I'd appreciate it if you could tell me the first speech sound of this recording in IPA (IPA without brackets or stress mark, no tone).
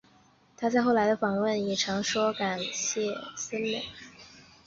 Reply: t̪ʰ